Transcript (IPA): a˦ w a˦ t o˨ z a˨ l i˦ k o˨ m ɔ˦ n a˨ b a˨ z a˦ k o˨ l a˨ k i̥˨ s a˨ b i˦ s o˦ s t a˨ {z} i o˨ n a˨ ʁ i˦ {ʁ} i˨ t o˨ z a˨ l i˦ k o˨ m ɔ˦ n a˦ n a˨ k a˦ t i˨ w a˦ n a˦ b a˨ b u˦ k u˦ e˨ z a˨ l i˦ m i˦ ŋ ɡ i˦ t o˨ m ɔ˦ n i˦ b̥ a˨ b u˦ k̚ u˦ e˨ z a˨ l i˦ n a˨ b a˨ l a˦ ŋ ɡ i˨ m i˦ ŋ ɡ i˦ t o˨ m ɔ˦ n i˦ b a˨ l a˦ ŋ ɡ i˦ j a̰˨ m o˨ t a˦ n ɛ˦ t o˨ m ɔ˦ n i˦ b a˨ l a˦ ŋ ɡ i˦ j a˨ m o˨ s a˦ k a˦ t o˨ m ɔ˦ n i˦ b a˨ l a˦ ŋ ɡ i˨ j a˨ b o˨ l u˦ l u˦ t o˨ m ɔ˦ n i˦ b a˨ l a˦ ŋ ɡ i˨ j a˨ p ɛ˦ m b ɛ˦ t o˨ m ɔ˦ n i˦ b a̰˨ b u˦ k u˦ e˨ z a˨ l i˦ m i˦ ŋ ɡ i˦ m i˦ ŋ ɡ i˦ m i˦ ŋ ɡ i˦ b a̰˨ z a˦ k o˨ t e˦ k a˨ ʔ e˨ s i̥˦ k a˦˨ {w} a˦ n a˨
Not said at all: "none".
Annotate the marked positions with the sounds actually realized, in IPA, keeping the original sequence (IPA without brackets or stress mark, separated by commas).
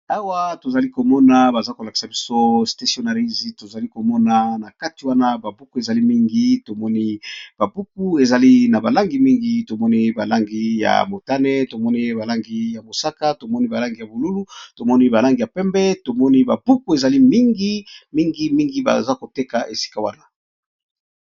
s, z, w